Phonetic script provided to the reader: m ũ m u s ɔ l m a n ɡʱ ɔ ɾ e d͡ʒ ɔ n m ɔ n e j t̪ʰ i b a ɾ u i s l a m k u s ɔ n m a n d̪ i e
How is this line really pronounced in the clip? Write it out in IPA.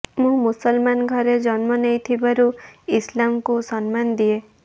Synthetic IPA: m ũ m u s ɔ l m a n ɡʱ ɔ ɾ e d͡ʒ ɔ n m ɔ n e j t̪ʰ i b a ɾ u i s l a m k u s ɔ n m a n d̪ i e